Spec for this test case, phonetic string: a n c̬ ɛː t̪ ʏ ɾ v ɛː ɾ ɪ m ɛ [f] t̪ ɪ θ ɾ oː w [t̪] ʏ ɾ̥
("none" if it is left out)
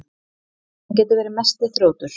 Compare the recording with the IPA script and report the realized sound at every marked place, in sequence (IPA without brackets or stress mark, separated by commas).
s, t̪